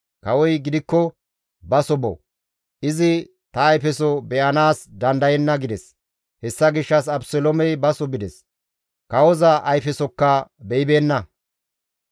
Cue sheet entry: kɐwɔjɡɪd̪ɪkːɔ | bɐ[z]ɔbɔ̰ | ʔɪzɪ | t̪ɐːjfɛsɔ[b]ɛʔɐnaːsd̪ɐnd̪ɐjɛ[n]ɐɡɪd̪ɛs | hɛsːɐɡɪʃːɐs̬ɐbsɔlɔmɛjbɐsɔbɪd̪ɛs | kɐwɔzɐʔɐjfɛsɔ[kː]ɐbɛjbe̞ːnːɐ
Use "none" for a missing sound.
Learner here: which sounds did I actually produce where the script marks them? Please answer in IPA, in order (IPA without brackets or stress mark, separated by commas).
s, b, nː, kː